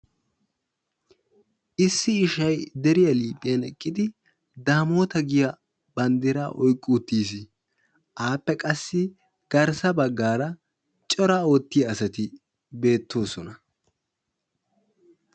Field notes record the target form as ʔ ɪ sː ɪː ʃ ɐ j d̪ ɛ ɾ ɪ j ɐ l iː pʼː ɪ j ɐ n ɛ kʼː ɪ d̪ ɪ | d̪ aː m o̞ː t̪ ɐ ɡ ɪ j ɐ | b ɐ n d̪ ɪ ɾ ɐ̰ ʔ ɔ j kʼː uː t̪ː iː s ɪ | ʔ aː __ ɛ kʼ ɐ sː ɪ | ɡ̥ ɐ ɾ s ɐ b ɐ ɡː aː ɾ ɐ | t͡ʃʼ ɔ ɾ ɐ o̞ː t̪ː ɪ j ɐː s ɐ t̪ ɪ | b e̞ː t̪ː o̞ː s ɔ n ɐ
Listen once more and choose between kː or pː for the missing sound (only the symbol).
pː